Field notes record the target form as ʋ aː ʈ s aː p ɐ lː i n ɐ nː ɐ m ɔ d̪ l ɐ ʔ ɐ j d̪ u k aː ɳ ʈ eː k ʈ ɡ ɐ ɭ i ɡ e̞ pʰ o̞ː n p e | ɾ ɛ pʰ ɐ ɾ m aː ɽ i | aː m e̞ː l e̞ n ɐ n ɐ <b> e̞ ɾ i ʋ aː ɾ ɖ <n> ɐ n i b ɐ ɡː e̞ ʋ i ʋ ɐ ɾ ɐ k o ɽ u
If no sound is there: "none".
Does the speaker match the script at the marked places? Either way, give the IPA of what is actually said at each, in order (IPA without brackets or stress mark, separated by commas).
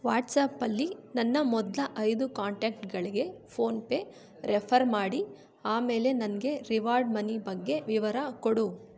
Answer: ɡ, m